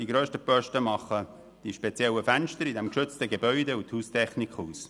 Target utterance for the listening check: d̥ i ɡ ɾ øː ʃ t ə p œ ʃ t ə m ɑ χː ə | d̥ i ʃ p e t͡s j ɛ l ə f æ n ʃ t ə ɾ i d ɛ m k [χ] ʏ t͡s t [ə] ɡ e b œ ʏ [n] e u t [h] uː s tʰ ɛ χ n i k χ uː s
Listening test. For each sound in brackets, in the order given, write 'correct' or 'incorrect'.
incorrect, correct, incorrect, correct

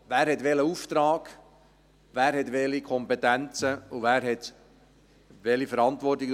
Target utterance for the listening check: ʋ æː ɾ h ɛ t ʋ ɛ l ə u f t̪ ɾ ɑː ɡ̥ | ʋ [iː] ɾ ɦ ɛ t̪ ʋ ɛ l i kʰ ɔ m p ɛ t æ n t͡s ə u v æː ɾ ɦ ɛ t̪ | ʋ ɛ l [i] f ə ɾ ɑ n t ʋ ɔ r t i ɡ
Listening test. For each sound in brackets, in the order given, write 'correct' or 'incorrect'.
incorrect, correct

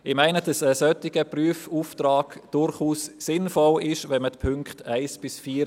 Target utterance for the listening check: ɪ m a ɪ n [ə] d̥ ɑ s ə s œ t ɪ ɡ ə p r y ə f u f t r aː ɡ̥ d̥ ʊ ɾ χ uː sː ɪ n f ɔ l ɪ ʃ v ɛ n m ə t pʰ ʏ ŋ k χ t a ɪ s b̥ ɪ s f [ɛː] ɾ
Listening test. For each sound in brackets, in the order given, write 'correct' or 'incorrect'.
correct, incorrect

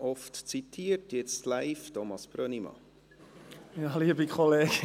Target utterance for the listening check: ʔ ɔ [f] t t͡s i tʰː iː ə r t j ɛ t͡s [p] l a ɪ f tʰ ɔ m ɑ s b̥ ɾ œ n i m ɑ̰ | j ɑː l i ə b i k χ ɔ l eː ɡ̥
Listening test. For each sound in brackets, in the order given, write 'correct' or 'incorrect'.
correct, incorrect

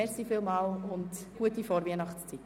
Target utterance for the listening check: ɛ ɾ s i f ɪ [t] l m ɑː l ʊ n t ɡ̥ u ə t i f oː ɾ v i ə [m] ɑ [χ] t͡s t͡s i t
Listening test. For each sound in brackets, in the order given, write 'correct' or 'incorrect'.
incorrect, incorrect, correct

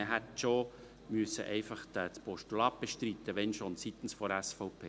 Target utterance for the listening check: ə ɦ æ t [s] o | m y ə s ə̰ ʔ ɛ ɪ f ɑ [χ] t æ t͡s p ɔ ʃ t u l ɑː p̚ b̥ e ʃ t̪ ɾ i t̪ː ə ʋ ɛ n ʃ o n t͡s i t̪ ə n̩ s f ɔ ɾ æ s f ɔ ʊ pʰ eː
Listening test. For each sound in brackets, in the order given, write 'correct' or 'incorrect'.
incorrect, correct

